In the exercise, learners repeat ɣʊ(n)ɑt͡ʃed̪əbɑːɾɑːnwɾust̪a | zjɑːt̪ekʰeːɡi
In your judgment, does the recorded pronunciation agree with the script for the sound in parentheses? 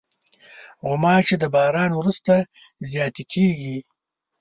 no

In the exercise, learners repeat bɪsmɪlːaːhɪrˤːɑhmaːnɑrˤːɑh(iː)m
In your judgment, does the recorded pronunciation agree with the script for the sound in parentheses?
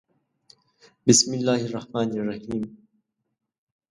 yes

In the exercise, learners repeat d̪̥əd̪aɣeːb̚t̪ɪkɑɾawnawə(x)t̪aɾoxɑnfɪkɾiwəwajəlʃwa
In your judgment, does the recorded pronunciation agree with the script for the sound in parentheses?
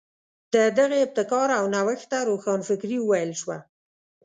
yes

